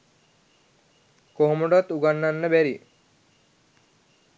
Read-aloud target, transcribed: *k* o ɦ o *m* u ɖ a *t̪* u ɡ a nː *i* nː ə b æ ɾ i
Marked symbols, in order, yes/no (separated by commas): yes, yes, yes, no